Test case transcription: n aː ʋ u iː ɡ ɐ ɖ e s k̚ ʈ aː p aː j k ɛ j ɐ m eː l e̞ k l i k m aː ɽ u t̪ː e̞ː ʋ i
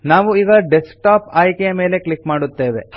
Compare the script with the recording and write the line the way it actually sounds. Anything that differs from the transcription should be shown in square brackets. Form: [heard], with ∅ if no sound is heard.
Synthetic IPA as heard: n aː ʋ u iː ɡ ɐ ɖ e s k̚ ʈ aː p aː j k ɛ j ɐ m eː l e̞ k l i k m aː ɽ u t̪ː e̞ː ʋ [e]